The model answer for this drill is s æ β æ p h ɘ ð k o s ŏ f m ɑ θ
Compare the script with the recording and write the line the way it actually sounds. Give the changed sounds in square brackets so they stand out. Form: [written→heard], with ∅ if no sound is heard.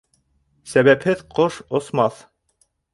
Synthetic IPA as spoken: s æ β æ p h ɘ ð [k→q] o [s→ʃ] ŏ [f→s] m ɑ θ